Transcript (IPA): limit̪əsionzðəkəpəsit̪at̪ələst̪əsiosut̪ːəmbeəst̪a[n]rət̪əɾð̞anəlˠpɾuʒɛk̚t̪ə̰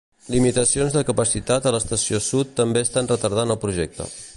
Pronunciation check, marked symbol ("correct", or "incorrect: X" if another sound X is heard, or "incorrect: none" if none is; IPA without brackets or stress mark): correct